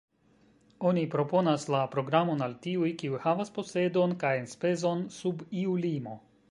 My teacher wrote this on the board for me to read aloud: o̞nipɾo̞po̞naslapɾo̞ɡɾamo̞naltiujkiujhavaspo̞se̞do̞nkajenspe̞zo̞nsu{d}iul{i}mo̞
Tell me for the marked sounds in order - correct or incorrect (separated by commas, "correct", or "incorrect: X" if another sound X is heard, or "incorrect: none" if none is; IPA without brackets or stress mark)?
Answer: incorrect: b, correct